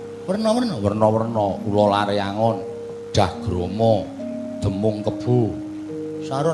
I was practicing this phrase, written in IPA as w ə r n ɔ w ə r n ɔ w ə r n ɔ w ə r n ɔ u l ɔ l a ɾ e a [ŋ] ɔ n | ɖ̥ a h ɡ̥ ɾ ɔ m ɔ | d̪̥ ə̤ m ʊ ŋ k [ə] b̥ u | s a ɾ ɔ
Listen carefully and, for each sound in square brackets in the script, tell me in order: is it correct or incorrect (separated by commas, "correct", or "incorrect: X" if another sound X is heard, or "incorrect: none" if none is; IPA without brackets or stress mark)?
correct, correct